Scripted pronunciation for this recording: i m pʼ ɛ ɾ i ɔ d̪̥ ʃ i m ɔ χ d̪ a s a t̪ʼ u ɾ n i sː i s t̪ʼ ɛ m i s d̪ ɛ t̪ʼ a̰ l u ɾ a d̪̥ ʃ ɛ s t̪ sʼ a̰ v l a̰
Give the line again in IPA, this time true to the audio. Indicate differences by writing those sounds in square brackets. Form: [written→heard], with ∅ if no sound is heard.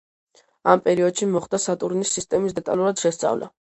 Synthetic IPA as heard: [i→a] m pʼ ɛ ɾ i ɔ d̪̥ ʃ i m ɔ χ d̪ a s a t̪ʼ u ɾ n i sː i s t̪ʼ ɛ m i s d̪ ɛ t̪ʼ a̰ l u ɾ a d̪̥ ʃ ɛ s t̪ sʼ a̰ v l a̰